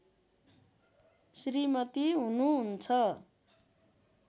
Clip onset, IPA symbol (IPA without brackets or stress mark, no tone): s